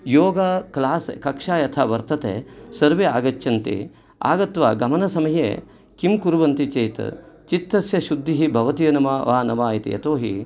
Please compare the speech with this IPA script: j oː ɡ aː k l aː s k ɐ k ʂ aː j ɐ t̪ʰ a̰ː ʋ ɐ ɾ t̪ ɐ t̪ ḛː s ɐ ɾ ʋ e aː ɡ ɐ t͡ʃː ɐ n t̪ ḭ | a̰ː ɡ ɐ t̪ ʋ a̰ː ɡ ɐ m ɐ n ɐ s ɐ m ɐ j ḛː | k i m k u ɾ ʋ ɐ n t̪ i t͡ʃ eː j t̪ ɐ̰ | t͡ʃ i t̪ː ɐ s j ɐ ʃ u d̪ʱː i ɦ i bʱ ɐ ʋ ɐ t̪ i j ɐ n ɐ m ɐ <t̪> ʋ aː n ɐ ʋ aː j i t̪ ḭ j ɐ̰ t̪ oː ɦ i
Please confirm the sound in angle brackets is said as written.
no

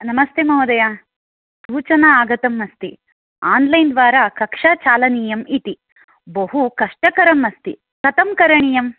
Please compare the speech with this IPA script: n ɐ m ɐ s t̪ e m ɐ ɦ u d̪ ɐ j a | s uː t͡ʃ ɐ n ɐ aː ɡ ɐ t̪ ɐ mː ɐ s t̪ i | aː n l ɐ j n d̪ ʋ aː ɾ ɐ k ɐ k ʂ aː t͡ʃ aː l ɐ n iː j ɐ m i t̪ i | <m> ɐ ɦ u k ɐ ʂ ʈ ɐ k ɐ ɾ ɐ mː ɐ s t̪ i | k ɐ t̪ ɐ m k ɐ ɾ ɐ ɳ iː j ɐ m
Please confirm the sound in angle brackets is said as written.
no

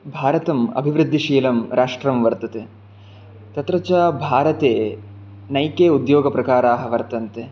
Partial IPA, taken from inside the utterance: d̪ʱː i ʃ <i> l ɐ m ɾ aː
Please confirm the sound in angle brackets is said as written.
no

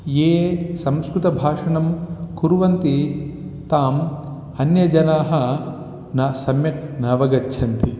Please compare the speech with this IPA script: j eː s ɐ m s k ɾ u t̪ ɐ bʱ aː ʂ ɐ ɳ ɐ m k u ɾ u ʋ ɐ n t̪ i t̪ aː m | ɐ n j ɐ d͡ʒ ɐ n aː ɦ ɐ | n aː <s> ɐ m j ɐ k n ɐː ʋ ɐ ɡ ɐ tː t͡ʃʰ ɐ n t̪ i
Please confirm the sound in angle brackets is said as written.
yes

